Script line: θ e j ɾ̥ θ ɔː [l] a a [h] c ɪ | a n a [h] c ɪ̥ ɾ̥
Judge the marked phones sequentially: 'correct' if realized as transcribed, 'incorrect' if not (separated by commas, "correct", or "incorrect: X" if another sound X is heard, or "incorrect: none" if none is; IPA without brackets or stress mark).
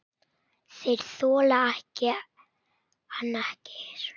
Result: correct, correct, correct